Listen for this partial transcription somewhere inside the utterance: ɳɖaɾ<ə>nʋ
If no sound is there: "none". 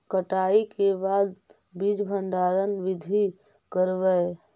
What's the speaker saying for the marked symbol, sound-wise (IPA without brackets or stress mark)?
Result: ə